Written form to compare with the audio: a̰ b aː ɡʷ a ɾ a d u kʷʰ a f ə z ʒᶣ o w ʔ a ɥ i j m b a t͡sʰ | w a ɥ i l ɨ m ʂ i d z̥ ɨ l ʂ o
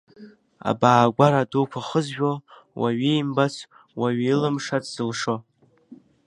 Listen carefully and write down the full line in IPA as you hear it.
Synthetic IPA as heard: a̰ b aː ɡʷ a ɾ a d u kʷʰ a χ ə z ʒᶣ o w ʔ a ɥ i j m b a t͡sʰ | w a ɥ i l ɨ m ʂ a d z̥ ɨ l ʂ o